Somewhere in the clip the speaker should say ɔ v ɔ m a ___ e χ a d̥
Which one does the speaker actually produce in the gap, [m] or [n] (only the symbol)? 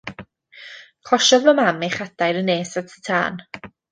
m